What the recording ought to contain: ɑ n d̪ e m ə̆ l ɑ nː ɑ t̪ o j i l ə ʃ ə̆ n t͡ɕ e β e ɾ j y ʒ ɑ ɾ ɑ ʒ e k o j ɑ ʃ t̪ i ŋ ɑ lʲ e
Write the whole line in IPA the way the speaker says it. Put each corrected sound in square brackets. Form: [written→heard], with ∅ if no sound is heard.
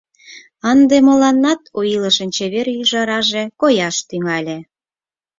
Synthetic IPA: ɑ n d̪ e m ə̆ l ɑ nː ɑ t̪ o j i l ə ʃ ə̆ n t͡ɕ e β e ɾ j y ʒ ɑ ɾ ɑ ʒ e k o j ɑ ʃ t̪ [i→y] ŋ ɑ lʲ e

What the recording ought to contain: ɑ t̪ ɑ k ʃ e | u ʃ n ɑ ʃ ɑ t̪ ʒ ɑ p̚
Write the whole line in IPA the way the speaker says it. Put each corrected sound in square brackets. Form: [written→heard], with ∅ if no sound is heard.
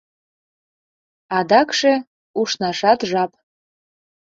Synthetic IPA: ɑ [t̪→d̪] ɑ k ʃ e | u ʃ n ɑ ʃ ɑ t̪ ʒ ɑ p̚

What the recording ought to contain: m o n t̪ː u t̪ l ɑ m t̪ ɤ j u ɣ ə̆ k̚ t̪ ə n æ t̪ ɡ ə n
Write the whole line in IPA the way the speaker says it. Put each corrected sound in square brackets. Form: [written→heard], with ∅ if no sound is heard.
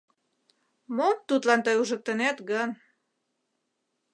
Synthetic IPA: m o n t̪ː u t̪ l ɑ [m→n] t̪ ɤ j u [ɣ→ʒ] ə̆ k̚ t̪ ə n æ t̪ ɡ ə n

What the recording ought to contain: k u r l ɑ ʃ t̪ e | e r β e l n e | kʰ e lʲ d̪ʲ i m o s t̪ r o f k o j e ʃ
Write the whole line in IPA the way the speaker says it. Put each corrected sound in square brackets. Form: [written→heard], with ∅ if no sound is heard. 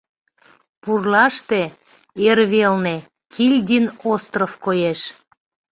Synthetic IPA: [k→p] u r l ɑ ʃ t̪ e | e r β e l n e | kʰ [e→i] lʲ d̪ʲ i [m→n] o s t̪ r o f k o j e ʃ

